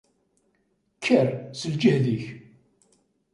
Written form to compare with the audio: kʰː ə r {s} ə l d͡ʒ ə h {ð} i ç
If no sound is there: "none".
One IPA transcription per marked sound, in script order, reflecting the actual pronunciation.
s, ð

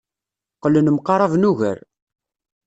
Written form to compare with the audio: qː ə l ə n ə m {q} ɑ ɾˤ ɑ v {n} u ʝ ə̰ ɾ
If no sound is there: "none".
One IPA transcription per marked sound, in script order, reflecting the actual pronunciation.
q, n

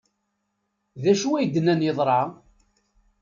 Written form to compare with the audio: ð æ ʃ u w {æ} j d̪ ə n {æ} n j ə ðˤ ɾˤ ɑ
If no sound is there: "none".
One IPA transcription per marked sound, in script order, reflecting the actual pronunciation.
æ, æ

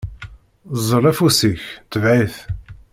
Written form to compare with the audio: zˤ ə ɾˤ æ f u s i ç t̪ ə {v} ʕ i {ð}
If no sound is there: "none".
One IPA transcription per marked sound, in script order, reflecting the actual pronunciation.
v, θ

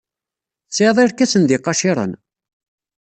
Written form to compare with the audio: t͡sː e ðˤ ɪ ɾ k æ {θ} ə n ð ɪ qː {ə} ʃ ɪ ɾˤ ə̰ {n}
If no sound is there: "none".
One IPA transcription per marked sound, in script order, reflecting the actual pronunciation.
s, ɑ, n

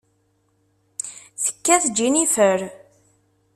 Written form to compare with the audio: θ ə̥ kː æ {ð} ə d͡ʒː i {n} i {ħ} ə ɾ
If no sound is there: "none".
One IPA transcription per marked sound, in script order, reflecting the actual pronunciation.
θ, n, f

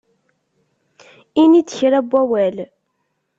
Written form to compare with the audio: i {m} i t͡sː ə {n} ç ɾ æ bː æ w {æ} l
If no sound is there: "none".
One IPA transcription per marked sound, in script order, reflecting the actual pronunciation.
n, none, æ

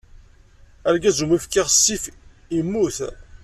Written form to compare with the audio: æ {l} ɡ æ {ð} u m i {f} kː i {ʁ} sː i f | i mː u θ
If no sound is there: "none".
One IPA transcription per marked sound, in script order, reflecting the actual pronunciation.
ɾ, z, f, ʁ

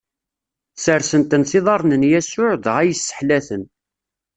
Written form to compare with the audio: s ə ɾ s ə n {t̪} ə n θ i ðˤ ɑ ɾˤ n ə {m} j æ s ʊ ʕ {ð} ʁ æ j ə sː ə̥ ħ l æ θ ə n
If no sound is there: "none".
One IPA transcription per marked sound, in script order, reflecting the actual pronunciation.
t̪, n, ð

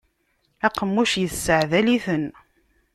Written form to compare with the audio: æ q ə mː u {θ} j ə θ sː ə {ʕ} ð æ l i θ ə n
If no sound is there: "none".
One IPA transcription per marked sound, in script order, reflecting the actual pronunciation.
ʃ, ʕ

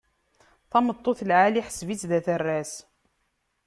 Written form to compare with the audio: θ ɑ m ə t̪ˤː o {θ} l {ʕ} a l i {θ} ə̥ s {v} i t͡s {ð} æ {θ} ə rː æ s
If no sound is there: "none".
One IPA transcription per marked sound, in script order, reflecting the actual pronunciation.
θ, ʕ, ħ, v, ð, θ

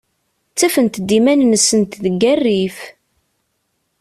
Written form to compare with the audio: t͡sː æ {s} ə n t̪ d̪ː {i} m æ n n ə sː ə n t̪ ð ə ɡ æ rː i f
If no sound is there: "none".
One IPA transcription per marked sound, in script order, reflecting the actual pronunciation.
f, i

